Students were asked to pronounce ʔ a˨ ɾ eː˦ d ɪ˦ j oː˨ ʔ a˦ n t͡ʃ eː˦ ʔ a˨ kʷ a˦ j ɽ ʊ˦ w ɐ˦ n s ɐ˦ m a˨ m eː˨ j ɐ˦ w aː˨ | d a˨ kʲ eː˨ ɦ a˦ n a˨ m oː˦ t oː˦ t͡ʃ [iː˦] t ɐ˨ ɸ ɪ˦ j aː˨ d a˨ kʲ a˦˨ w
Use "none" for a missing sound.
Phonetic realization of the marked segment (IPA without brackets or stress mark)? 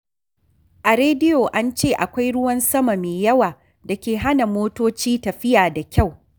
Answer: iː˦